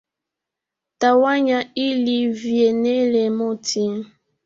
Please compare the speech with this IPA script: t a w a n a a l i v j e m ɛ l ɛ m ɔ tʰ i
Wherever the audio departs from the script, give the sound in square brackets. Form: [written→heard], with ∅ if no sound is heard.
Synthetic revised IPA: t a w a [n→ɲ] a [a→i] l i v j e [m→n] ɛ l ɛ m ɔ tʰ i